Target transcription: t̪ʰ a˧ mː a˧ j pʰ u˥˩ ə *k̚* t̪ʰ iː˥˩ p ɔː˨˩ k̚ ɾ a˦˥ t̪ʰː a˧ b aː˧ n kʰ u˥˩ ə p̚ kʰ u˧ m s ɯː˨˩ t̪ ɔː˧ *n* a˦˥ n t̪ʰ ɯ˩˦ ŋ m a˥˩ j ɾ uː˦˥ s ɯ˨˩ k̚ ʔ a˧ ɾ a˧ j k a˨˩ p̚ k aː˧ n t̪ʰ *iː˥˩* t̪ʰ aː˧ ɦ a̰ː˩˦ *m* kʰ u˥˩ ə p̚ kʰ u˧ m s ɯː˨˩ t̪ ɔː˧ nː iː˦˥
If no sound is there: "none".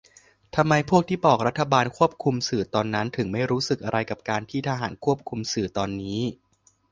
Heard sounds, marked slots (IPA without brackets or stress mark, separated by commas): k̚, nː, iː˥˩, n